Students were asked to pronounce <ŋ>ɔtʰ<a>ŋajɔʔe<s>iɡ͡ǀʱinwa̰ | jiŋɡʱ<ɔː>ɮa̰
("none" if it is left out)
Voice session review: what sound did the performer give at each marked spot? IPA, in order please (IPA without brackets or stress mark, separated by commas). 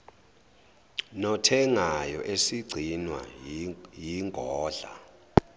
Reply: n, ɛ, s, ɔː